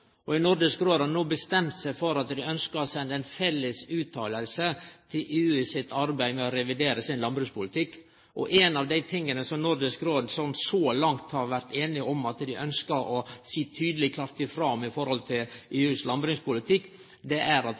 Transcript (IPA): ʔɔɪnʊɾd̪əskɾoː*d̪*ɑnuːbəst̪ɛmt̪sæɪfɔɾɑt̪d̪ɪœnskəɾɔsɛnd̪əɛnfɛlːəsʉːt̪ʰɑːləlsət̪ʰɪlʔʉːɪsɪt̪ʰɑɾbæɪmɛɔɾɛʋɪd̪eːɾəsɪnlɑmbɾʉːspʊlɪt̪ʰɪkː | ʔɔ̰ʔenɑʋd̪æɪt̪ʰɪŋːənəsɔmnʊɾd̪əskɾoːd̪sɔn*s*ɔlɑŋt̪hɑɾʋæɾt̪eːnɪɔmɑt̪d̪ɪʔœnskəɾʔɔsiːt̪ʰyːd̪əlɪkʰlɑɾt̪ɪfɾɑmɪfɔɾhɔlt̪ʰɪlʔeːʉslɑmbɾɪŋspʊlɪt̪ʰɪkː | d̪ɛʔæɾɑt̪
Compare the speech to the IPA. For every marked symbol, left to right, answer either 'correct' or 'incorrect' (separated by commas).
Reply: correct, correct